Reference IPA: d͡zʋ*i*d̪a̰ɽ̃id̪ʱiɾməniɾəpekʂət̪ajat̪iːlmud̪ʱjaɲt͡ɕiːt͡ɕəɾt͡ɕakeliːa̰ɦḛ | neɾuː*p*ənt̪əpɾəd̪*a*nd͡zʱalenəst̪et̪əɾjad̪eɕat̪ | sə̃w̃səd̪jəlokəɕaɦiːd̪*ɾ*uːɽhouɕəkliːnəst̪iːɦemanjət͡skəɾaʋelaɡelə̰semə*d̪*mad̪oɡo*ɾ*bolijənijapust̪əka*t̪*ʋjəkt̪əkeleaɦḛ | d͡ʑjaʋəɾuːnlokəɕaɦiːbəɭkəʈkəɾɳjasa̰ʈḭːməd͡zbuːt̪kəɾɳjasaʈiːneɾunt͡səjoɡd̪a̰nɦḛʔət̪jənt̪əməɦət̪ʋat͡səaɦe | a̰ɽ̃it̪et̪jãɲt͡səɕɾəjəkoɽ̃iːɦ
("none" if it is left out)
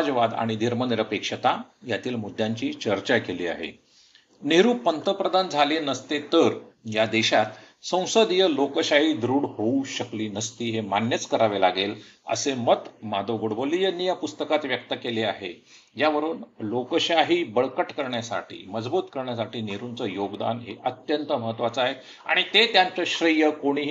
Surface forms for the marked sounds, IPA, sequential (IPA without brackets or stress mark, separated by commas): a, p, a, ɾ, t̪, ɽ, t̪